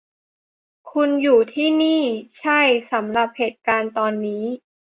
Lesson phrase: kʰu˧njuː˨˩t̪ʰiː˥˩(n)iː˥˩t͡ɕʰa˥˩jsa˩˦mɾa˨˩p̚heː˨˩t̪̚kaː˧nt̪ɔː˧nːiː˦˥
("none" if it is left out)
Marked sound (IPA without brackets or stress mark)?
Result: n